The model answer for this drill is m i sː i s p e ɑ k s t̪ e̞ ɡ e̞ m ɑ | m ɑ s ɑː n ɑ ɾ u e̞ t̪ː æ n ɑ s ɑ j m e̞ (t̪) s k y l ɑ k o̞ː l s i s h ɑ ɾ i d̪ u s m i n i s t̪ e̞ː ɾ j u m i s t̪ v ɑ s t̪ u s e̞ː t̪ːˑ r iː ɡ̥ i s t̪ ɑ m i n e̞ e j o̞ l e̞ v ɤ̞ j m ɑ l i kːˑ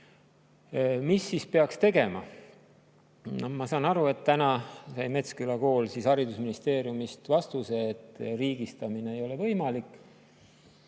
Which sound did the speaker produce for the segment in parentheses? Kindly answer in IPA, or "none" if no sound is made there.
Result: t̪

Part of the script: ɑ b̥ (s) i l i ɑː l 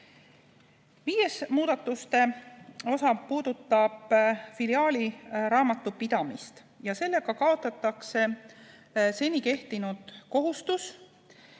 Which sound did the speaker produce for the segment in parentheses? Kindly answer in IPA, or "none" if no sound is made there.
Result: f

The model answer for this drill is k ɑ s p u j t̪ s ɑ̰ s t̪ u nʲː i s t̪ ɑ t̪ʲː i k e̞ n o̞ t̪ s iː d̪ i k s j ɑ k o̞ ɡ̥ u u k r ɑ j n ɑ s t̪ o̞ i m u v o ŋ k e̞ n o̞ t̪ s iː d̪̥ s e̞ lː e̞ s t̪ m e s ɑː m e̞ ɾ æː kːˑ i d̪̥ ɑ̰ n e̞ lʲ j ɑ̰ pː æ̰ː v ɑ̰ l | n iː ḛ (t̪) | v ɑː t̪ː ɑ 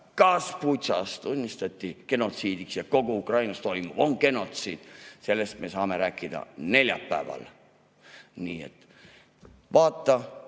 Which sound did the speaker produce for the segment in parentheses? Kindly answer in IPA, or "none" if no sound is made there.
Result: t̪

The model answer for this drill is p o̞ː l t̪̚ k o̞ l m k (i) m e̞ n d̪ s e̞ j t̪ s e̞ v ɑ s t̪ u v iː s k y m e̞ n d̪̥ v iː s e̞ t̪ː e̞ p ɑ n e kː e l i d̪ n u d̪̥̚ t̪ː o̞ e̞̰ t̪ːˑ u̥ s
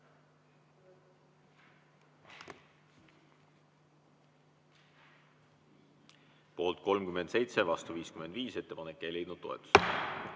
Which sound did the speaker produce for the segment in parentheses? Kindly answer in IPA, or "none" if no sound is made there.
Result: y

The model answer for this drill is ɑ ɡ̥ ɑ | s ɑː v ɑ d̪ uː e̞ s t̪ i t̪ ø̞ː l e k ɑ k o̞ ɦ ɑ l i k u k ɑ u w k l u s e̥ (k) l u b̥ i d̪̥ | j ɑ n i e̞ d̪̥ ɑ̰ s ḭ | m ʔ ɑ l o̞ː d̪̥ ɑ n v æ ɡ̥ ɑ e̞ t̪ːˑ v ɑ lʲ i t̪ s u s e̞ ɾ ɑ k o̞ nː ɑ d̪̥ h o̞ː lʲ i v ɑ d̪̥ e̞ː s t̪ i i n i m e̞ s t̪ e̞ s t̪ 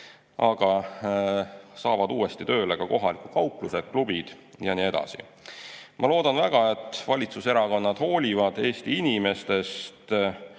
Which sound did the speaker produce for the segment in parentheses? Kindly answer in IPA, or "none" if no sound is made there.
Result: k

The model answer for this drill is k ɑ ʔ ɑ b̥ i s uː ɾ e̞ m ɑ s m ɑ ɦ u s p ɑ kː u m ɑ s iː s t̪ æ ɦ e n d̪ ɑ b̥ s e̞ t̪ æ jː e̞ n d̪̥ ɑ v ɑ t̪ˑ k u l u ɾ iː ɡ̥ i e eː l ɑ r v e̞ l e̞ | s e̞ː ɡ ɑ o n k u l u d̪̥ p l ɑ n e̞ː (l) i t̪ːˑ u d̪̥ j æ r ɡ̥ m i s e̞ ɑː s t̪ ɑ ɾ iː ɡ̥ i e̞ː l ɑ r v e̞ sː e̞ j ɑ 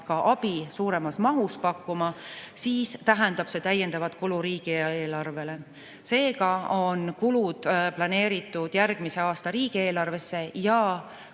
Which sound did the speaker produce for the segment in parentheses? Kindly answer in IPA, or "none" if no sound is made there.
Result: ɾ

